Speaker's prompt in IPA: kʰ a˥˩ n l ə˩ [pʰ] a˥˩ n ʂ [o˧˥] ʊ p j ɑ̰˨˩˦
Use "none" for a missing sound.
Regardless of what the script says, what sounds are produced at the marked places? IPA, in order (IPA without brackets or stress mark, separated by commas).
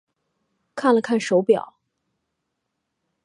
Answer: kʰ, o˧˥